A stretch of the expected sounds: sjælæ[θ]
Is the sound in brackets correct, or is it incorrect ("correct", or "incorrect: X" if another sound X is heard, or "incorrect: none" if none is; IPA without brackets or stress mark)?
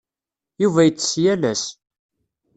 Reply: incorrect: s